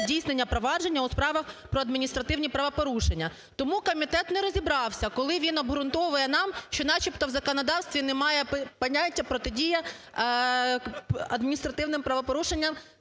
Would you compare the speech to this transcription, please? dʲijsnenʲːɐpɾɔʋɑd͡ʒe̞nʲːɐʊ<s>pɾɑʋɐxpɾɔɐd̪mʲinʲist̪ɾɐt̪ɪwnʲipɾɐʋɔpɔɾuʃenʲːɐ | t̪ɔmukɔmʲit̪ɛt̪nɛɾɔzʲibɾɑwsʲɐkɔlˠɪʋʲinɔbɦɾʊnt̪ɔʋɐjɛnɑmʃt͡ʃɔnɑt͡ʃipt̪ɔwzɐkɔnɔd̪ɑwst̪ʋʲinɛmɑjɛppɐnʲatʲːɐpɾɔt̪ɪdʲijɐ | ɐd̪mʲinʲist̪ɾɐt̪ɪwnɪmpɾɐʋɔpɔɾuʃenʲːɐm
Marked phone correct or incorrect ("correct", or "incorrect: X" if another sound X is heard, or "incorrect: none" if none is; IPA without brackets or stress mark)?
correct